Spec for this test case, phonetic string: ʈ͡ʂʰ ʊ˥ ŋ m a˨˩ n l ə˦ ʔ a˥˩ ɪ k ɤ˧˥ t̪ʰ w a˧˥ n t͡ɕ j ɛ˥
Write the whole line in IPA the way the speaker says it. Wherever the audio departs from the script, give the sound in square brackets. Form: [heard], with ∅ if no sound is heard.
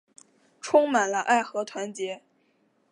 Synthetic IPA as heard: ʈ͡ʂʰ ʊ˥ ŋ m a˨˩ n l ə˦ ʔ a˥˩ ɪ [x] ɤ˧˥ t̪ʰ w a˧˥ n t͡ɕ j [ɛ˧˥]